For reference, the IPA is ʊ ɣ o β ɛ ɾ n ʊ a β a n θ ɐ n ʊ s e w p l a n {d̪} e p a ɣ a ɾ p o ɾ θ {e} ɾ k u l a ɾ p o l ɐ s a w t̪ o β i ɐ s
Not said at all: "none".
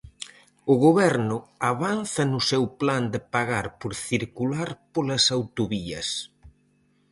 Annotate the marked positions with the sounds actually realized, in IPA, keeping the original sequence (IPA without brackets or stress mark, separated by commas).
d̪, i